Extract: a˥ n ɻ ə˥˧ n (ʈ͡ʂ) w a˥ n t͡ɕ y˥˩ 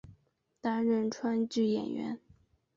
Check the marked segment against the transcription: incorrect: ʈ͡ʂʰ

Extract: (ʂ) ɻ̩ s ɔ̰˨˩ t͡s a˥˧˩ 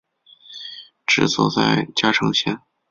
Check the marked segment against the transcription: incorrect: ʈ͡ʂ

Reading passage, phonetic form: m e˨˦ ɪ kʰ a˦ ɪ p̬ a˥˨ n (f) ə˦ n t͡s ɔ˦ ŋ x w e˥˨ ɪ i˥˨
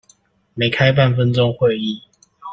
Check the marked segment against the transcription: correct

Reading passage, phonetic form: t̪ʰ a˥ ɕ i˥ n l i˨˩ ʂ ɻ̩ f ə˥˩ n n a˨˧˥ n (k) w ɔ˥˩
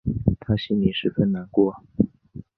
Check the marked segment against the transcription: correct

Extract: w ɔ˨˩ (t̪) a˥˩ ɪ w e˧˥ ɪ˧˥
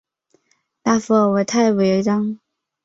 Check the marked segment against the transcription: incorrect: t̪ʰ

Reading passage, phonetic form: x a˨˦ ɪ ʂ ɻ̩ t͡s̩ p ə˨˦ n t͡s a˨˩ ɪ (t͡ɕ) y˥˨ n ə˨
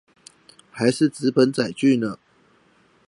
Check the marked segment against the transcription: correct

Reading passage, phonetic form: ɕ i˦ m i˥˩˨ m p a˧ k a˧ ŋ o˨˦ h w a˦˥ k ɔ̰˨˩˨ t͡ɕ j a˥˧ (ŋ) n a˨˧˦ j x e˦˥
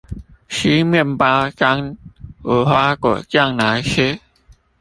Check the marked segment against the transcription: correct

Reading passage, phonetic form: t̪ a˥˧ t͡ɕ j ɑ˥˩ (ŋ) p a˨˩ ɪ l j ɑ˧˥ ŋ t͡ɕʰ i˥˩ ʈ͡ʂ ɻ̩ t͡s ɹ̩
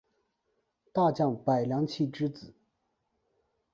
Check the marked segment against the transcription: correct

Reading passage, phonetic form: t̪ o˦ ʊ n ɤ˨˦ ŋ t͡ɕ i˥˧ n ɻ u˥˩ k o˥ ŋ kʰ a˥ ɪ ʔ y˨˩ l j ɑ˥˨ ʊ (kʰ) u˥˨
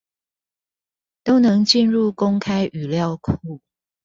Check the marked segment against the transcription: correct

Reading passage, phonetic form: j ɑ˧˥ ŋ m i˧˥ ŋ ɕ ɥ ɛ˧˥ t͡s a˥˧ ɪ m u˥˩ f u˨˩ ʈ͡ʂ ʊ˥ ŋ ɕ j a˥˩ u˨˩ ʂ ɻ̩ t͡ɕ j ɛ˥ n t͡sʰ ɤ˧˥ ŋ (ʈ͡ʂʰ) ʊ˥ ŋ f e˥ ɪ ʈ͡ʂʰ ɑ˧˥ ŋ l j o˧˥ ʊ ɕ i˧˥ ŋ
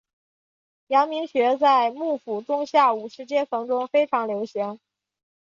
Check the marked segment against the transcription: incorrect: ʈ͡ʂ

